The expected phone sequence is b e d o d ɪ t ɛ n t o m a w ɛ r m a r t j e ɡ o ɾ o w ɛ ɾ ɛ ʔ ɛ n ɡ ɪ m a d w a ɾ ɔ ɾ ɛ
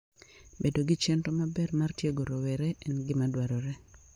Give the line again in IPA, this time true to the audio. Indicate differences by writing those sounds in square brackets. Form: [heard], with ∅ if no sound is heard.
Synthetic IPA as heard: b e d o [ɡ] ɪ [t͡ʃ] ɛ n t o m a [b] ɛ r m a r t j e ɡ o ɾ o w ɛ ɾ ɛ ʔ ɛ n ɡ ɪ m a d w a ɾ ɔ ɾ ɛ